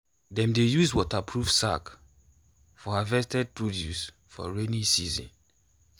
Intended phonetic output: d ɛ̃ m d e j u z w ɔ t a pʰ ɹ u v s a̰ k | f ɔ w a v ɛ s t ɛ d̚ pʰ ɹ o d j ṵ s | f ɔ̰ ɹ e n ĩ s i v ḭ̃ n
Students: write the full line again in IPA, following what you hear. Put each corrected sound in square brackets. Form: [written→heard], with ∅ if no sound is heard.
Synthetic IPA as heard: d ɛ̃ m d e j u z w ɔ t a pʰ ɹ u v s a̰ k | f ɔ [w→∅] a v ɛ s t ɛ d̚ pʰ ɹ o d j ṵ s | f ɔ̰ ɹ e n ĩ s i [v→z] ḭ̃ n